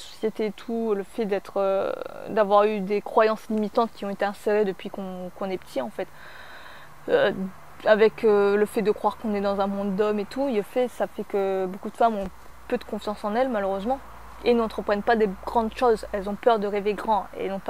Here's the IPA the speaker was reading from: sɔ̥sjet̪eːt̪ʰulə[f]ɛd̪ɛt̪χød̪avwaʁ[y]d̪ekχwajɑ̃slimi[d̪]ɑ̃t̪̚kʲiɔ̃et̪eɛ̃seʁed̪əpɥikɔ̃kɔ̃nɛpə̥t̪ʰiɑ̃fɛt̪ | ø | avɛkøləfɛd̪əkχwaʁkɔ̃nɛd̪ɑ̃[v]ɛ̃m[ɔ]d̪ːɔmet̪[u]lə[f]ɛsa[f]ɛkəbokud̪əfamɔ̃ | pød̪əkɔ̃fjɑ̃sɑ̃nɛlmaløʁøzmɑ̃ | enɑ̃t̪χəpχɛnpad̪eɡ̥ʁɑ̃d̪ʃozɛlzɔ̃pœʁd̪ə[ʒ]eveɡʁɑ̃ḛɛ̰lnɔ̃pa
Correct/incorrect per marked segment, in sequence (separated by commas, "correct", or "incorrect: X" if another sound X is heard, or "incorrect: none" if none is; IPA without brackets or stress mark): correct, correct, incorrect: t̪, incorrect: z, incorrect: ɔ̃, correct, correct, correct, incorrect: ʁ